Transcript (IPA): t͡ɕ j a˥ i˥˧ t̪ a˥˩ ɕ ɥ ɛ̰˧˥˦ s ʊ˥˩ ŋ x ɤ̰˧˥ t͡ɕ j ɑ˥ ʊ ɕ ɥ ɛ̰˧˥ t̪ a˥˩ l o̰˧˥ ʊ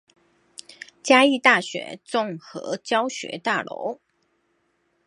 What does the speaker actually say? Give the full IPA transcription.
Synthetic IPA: t͡ɕ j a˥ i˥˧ t̪ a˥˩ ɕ ɥ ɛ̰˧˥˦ t͡s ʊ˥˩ ŋ x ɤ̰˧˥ t͡ɕ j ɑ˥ ʊ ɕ ɥ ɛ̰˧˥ t̪ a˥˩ l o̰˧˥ ʊ